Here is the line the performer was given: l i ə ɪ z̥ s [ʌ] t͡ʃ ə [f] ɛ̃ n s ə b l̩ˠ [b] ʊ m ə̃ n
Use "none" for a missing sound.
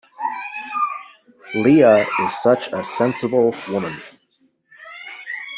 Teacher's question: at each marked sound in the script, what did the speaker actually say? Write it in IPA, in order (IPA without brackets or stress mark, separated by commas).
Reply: ʌ, s, w